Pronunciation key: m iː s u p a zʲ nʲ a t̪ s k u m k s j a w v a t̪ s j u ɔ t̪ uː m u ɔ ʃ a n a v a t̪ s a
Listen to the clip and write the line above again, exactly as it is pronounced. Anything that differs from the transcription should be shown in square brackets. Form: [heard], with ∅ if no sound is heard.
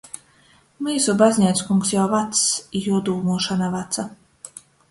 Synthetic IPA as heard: m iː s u [b] a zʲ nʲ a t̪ s k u [ŋ] k s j a w v a t̪ s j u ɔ [d̪] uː m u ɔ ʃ a n a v a t̪ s a